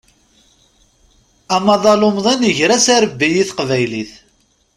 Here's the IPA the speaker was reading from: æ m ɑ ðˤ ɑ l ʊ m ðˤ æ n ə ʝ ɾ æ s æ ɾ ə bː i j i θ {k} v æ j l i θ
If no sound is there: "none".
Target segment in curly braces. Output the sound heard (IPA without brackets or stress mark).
q